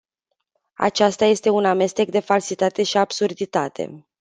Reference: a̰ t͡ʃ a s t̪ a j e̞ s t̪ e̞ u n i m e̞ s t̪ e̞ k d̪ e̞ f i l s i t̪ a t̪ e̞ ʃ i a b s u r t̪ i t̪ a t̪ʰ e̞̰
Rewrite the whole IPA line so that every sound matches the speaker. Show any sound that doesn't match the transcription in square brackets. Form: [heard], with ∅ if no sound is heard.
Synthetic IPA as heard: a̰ t͡ʃ a s t̪ a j e̞ s t̪ e̞ u n [a] m e̞ s t̪ e̞ k d̪ e̞ f [a] l s i t̪ a t̪ e̞ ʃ i a b s u r [d̪] i t̪ a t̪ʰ e̞̰